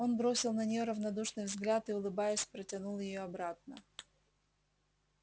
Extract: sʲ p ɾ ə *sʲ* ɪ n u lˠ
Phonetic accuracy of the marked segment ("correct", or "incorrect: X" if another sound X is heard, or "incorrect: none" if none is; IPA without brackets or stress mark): incorrect: tʲ